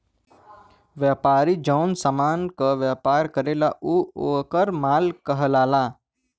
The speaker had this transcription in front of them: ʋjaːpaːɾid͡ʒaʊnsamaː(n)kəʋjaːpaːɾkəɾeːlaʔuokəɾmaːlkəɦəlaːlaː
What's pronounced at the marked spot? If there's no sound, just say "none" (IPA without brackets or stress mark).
n